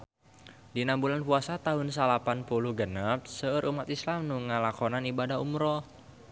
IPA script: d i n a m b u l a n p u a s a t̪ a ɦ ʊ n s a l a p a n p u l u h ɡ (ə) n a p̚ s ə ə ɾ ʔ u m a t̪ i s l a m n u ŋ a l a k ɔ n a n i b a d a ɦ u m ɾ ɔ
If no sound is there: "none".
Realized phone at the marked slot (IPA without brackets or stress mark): ə